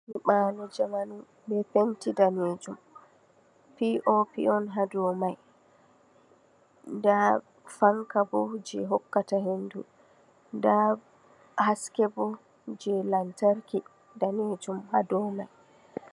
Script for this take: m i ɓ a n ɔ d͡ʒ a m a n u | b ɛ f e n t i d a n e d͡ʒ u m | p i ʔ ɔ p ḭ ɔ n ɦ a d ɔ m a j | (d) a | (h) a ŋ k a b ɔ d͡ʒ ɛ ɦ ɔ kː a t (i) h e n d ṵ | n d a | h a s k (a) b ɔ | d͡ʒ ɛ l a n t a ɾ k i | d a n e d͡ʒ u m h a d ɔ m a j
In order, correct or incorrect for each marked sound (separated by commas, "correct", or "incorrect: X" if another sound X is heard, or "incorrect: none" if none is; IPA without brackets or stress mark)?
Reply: correct, incorrect: f, incorrect: a, incorrect: ɛ